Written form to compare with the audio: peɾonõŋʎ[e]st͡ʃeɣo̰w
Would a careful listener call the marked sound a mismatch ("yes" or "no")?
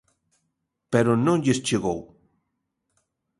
no